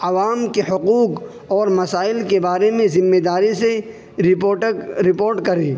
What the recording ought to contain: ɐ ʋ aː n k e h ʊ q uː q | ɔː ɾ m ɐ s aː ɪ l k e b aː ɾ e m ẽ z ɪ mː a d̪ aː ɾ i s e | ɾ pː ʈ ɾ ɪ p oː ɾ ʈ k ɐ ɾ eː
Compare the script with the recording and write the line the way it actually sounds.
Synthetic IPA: ɐ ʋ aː m k e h ʊ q uː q | ɔː ɾ m ɐ s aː ɪ l k e b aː ɾ e m ẽ z ɪ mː e d̪ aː ɾ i s e | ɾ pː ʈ ɾ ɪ p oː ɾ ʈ k ɐ ɾ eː